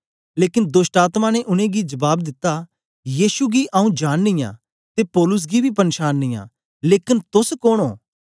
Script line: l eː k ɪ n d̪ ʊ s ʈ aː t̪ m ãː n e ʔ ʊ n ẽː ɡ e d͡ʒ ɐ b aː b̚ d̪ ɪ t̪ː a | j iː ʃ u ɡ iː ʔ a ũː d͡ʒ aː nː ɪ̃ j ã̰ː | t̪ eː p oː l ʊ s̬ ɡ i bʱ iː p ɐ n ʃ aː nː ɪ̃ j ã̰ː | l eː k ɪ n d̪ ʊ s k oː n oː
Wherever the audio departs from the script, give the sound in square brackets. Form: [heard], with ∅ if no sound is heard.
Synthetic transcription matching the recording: l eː k ɪ n d̪ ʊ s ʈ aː t̪ m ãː n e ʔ ʊ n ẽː ɡ [i] d͡ʒ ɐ b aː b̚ d̪ ɪ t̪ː a | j iː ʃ u ɡ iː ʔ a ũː d͡ʒ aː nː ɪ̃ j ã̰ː | t̪ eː p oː l ʊ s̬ ɡ i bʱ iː p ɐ n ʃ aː nː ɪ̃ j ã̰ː | l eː k ɪ n [t̪] ʊ s k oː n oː